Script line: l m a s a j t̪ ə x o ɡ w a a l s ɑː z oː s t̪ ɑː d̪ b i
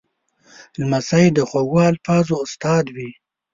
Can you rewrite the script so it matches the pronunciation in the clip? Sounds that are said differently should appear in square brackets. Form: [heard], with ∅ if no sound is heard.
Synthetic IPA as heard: l m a s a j [d̪] ə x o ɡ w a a l [f] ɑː z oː s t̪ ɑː d̪ [w] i